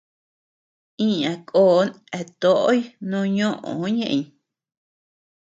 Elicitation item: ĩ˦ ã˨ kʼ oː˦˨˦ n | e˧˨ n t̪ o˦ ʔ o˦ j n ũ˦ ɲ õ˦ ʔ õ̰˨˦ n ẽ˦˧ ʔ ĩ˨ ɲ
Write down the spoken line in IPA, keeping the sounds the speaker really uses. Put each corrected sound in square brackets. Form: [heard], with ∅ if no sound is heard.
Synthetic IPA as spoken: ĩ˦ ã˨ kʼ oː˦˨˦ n | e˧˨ [∅] t̪ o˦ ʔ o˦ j n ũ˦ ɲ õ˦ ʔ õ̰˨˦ [ɲ] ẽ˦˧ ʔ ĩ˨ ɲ